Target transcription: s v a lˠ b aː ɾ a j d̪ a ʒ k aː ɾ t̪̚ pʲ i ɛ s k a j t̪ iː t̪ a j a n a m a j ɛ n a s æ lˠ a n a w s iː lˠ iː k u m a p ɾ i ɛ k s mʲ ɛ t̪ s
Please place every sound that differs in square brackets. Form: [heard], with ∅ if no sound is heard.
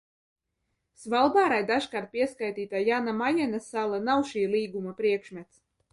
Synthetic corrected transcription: s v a lˠ b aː ɾ a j d̪ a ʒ k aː ɾ t̪̚ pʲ i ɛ s k a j t̪ iː t̪ a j a n a m a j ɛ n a s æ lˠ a n a w [ʃ] iː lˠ iː [ɡ] u m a p ɾ i ɛ k [ʃ] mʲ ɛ t̪ s